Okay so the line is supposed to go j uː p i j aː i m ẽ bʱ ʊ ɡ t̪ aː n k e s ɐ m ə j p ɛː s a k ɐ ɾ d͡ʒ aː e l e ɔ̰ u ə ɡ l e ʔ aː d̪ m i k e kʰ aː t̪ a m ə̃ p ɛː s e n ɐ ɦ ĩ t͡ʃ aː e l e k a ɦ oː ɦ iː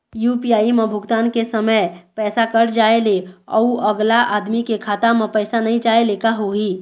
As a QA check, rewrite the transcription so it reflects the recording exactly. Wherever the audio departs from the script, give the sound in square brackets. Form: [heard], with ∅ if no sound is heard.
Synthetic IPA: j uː p i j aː i m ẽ bʱ ʊ ɡ t̪ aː n k e s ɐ m ə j p ɛː s a k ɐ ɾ d͡ʒ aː e l e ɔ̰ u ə ɡ l [a] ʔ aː d̪ m i k e kʰ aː t̪ a m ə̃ p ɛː s [a] n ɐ ɦ ĩ t͡ʃ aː e l e k a ɦ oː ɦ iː

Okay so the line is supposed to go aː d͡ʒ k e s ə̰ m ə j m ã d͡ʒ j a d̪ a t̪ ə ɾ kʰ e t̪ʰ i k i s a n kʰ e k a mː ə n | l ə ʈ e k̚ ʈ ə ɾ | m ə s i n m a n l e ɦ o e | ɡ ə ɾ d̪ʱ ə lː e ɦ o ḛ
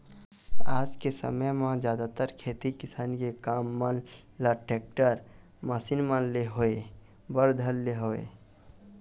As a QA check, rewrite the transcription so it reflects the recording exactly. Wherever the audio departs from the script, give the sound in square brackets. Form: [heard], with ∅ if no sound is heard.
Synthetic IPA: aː d͡ʒ k e s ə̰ m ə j m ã d͡ʒ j a d̪ a t̪ ə ɾ kʰ e [t̪] i k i s a n [k] e k a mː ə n | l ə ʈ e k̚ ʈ ə ɾ | m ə s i n m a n l e ɦ o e | [b] ə ɾ d̪ʱ ə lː e ɦ o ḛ

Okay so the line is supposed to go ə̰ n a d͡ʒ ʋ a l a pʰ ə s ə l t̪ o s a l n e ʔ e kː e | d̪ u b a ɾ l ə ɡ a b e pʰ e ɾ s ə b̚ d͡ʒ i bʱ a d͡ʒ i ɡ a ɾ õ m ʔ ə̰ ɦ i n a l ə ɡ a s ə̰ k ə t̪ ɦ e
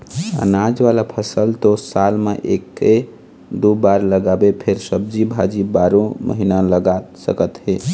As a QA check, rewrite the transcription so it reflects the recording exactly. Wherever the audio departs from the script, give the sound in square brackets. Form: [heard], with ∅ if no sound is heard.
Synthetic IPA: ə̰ n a d͡ʒ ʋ a l a pʰ ə s ə l t̪ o s a l [m] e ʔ e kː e | d̪ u b a ɾ l ə ɡ a b e pʰ e ɾ s ə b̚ d͡ʒ i bʱ a d͡ʒ i [b] a ɾ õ m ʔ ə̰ ɦ i n a l ə ɡ a s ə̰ k ə t̪ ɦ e

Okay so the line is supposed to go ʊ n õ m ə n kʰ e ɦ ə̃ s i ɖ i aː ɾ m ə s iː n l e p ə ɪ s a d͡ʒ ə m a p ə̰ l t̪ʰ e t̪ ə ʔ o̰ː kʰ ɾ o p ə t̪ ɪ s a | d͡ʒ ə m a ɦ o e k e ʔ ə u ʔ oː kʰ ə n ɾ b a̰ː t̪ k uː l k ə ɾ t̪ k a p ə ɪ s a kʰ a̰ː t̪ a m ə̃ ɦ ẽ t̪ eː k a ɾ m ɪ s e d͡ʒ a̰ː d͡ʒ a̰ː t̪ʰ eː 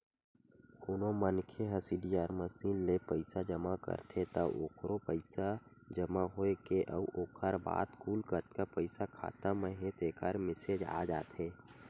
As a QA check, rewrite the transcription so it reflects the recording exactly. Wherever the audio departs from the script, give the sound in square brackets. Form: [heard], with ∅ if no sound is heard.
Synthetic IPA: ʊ n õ m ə n kʰ e ɦ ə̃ s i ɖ i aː ɾ m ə s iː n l e p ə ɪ s a d͡ʒ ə m a [k] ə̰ [ɾ] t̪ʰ e t̪ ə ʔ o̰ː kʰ ɾ o p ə [∅] ɪ s a | d͡ʒ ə m a ɦ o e k e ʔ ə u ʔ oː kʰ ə [∅] ɾ b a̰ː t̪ k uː l k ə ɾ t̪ k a p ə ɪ s a kʰ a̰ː t̪ a m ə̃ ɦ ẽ t̪ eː k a ɾ m ɪ s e d͡ʒ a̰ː d͡ʒ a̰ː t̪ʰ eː

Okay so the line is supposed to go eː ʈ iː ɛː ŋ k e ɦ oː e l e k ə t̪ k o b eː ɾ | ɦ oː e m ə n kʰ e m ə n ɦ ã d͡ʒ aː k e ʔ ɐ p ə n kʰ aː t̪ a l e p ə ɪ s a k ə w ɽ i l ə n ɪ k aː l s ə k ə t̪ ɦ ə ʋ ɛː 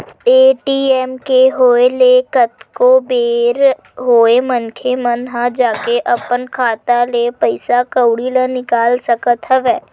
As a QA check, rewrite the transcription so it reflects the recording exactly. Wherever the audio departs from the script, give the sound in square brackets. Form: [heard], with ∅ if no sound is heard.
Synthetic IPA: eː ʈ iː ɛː [m] k e ɦ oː e l e k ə t̪ k o b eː ɾ | ɦ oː e m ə n kʰ e m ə n ɦ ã d͡ʒ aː k e ʔ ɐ p ə n kʰ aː t̪ a l e p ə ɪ s a k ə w ɽ i l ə n ɪ k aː l s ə k ə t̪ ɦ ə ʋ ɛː

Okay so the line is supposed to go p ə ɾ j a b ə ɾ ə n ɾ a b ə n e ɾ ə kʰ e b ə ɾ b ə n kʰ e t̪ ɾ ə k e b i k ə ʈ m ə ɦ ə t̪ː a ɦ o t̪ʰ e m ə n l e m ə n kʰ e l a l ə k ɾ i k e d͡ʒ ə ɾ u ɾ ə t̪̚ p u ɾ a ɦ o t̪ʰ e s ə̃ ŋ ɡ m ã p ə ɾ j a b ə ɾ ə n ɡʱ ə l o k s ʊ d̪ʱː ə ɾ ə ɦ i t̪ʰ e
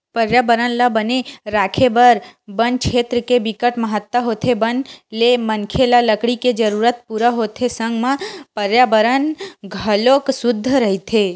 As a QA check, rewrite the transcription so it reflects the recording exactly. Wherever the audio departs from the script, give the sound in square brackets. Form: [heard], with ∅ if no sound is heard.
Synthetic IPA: p ə ɾ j a b ə ɾ ə n [l] a b ə n e ɾ [a] kʰ e b ə ɾ b ə n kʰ e t̪ ɾ ə k e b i k ə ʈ m ə ɦ ə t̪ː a ɦ o t̪ʰ e [b] ə n l e m ə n kʰ e l a l ə k [ɽ] i k e d͡ʒ ə ɾ u ɾ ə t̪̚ p u ɾ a ɦ o t̪ʰ e s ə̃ ŋ ɡ m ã p ə ɾ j a b ə ɾ ə n ɡʱ ə l o k s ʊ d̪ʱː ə ɾ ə ɦ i t̪ʰ e

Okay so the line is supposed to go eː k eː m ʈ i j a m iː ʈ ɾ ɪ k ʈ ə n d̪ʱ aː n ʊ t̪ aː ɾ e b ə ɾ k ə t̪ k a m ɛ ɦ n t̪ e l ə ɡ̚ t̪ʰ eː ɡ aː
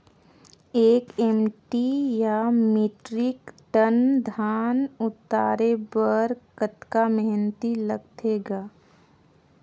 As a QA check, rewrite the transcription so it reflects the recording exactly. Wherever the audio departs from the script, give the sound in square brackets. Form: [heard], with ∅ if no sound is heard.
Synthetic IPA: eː k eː m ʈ i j a m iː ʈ ɾ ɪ k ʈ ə n d̪ʱ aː n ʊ t̪ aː ɾ e b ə ɾ k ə t̪ k a m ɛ ɦ n t̪ [i] l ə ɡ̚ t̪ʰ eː ɡ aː

